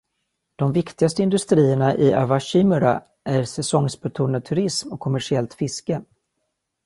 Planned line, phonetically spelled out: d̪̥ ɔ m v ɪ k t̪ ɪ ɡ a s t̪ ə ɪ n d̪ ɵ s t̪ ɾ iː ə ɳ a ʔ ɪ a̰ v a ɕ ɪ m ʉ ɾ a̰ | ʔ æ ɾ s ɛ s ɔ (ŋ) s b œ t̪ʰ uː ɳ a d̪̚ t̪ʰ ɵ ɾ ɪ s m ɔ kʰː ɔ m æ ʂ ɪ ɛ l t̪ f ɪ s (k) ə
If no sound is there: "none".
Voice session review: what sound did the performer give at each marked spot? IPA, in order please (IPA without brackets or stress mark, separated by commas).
ŋ, k